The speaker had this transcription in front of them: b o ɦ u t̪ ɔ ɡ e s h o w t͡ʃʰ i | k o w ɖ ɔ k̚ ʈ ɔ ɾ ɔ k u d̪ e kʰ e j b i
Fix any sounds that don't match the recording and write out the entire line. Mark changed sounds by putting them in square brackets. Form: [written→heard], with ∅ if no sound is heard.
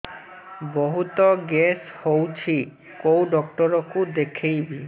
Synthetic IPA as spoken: b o ɦ u t̪ ɔ ɡ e s h o w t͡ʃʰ i | k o w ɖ ɔ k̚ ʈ ɔ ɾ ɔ k u d̪ e kʰ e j b i